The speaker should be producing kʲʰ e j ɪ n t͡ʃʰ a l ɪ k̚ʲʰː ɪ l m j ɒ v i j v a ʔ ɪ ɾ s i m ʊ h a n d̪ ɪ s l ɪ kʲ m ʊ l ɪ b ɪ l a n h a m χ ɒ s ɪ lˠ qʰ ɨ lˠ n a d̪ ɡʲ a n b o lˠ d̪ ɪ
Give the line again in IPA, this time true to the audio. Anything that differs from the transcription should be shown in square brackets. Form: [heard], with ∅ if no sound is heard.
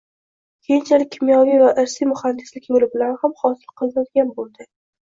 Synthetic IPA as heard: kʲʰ e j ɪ n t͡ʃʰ a l ɪ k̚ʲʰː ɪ [∅] m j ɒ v i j v a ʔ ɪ ɾ s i m ʊ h a n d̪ ɪ s l ɪ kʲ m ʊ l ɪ b ɪ l a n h a m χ ɒ s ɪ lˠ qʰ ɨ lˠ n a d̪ ɡʲ a n b o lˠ d̪ ɪ

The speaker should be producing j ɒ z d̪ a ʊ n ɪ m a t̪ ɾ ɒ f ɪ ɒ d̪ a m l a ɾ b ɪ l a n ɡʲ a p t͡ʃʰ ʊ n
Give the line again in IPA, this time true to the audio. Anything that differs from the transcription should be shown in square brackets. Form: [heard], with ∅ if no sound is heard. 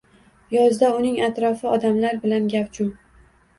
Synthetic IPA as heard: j ɒ z d̪ a ʊ n ɪ [ŋ] a t̪ ɾ ɒ f ɪ ɒ d̪ a m l a ɾ b ɪ l a n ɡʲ a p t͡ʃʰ ʊ [m]

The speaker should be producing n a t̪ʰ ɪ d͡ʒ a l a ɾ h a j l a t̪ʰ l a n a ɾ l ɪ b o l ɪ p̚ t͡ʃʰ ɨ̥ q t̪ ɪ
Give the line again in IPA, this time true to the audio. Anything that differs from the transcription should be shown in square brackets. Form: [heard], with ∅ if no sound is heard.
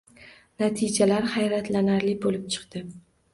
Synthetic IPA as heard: n a t̪ʰ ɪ d͡ʒ a l a ɾ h a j [ɾ] a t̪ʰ l a n a ɾ l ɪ b o l ɪ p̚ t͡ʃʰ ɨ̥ q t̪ ɪ

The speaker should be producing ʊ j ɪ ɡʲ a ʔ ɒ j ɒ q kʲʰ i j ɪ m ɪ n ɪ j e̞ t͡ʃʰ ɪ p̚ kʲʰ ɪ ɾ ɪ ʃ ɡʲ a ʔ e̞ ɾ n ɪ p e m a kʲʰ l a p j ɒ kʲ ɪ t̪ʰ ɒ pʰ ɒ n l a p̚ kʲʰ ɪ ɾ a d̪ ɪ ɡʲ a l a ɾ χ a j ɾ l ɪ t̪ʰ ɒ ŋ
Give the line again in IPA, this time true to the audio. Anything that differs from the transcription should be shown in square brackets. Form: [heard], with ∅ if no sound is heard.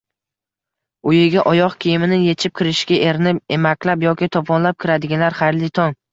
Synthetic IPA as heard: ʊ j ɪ ɡʲ a ʔ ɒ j ɒ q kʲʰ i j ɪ m ɪ n ɪ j e̞ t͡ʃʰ ɪ p̚ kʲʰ ɪ ɾ ɪ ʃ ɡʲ a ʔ e̞ ɾ n ɪ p e m a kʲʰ l a p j ɒ kʲ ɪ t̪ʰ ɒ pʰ ɒ n l a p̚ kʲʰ ɪ ɾ a d̪ ɪ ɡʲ a l a ɾ χ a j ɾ l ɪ t̪ʰ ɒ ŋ

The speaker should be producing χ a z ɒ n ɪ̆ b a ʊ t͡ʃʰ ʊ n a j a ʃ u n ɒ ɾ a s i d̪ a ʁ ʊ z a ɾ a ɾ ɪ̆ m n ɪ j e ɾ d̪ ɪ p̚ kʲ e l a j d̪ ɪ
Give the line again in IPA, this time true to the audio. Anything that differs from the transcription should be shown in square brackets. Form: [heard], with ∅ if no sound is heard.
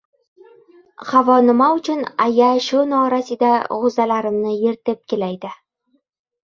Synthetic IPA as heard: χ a [v] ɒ n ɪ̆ [m] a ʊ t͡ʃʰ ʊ n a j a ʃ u n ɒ ɾ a s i d̪ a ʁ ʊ z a [l] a ɾ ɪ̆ m n ɪ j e ɾ [t̪] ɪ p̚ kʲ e l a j d̪ ɪ

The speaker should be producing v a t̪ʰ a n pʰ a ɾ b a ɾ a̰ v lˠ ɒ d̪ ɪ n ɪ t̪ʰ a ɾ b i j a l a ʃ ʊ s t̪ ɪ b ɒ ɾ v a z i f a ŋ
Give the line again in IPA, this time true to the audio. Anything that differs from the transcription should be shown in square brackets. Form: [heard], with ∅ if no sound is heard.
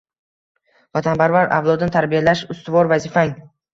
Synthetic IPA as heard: v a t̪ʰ a n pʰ a ɾ [v] a ɾ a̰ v lˠ ɒ d̪ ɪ n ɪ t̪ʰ a ɾ b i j a l a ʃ ʊ s t̪ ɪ [v] ɒ ɾ v a z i f a ŋ

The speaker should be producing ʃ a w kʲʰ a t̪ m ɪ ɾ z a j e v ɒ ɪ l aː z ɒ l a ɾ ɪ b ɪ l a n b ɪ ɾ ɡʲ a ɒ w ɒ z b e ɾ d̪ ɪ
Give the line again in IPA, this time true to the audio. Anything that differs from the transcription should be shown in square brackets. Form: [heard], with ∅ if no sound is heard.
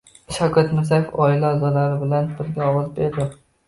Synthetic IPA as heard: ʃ a w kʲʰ a t̪ m ɪ ɾ z a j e [f] ɒ ɪ l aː z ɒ l a ɾ ɪ b ɪ l a n b ɪ ɾ ɡʲ a ɒ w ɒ z b e ɾ d̪ ɪ

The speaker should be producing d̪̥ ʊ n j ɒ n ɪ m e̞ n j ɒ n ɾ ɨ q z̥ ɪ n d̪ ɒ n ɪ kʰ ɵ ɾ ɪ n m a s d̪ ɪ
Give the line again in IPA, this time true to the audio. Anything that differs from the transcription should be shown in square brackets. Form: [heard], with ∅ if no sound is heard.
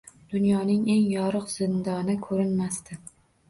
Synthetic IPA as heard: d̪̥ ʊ n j ɒ n ɪ [ŋ] e̞ [ŋ] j ɒ [∅] ɾ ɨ q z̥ ɪ n d̪ ɒ n ɪ kʰ ɵ ɾ ɪ n m a s [t̪] ɪ

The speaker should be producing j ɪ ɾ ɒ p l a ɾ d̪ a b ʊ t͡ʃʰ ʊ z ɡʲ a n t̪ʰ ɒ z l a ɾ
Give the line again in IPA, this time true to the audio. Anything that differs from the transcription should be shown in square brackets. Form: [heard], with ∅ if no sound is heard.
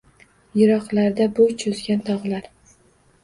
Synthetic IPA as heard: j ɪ ɾ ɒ [q] l a ɾ d̪ a b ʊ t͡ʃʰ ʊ z ɡʲ a n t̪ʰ ɒ [ʁ] l a ɾ

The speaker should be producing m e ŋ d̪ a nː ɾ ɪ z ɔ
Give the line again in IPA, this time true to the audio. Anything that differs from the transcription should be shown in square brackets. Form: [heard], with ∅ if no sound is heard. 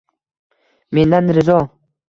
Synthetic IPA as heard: m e [n] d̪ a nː ɾ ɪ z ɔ

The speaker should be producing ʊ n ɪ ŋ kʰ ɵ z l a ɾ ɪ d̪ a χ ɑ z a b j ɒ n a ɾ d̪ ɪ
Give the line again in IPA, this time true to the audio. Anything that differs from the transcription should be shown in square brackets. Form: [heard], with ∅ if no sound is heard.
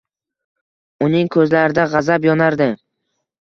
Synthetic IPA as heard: ʊ n ɪ ŋ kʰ ɵ z l a ɾ ɪ d̪ a [ʁ] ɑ z a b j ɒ n a ɾ d̪ ɪ

